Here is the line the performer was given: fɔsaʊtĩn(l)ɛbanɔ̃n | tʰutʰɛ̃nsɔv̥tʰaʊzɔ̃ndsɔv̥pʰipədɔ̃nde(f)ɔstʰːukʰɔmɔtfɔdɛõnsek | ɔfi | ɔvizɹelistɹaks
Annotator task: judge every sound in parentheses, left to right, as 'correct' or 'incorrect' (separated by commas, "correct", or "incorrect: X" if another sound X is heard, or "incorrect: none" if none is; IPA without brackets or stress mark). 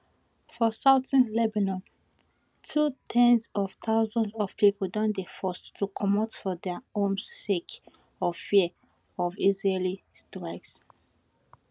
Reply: correct, correct